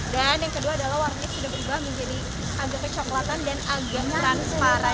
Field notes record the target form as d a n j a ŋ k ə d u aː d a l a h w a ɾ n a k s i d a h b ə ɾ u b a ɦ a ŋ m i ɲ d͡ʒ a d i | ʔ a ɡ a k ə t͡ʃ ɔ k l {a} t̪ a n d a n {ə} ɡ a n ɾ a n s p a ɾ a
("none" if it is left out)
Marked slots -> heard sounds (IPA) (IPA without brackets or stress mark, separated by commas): a, a